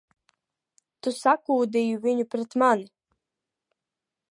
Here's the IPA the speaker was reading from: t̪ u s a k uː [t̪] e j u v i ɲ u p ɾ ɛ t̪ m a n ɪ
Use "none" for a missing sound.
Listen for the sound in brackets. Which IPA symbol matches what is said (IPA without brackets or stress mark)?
d̪